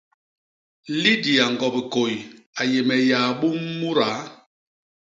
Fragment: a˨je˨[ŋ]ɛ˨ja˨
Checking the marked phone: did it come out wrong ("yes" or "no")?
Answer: yes